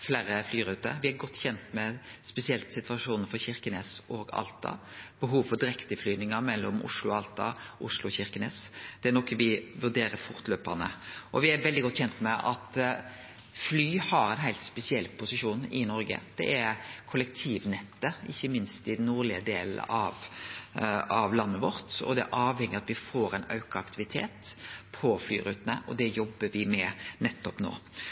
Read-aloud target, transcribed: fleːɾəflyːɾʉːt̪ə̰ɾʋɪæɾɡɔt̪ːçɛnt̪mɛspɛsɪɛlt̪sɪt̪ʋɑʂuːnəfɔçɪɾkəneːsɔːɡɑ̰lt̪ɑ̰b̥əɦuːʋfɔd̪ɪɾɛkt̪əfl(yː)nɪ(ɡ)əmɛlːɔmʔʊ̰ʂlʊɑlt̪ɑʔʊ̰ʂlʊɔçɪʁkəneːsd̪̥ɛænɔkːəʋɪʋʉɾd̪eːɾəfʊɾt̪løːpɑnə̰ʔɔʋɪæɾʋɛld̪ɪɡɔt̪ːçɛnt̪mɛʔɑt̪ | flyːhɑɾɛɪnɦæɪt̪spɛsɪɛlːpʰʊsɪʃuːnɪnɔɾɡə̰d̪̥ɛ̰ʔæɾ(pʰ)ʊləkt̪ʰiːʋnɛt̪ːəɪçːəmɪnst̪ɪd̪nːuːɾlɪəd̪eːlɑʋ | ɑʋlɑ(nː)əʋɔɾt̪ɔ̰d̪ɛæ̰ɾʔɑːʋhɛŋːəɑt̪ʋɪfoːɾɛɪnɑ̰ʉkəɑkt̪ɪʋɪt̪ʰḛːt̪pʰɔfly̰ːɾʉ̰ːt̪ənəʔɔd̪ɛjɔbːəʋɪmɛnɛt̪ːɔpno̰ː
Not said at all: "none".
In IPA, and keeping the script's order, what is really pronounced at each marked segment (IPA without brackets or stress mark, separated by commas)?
yː, ŋ, kʰ, nː